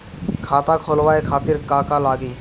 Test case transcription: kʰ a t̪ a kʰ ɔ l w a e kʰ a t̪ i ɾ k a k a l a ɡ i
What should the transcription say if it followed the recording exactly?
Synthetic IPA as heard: kʰ a t̪ a kʰ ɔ l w a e kʰ a t̪ i ɾ k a k a l a ɡ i